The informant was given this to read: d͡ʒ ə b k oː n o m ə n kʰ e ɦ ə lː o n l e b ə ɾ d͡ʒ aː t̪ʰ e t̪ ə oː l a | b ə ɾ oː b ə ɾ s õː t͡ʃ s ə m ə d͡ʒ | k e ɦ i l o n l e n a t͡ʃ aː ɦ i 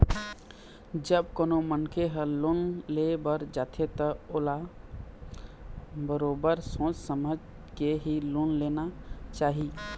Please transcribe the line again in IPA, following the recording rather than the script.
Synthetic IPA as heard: d͡ʒ ə b k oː n o m ə n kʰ e ɦ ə l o n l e b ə ɾ d͡ʒ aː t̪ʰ e t̪ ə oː l a | b ə ɾ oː b ə ɾ s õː t͡ʃ s ə m ə d͡ʒ | k e ɦ i l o n l e n a t͡ʃ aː ɦ i